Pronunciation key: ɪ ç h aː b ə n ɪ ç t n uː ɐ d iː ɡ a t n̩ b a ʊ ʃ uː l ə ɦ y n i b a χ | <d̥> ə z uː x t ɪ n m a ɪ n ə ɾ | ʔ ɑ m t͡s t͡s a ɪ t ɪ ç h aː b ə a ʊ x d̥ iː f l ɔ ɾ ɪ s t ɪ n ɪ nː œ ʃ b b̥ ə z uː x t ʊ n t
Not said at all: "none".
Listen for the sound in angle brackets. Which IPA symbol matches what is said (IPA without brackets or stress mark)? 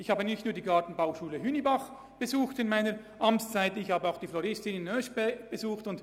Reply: b̥